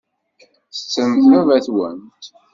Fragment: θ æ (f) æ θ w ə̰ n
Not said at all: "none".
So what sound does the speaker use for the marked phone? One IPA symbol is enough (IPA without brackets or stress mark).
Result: v